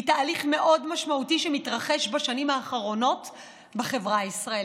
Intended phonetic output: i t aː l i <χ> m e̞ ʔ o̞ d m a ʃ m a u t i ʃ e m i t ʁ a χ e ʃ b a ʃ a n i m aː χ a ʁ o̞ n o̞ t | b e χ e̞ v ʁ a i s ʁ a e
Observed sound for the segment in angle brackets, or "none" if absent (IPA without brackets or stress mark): χ